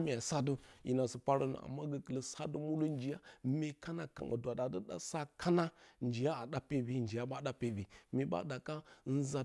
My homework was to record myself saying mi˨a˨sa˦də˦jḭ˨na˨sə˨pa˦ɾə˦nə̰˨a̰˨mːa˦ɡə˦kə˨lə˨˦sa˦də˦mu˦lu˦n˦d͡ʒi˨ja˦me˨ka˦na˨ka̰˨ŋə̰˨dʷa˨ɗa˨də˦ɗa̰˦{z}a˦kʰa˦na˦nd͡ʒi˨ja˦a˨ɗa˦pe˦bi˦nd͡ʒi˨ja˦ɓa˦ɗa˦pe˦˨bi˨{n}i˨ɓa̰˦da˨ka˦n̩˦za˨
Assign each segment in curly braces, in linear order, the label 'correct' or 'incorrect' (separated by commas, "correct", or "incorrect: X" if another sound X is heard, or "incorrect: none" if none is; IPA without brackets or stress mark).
incorrect: s, incorrect: m